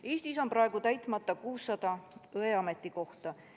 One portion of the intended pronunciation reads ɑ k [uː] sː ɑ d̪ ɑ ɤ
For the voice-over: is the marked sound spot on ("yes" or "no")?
yes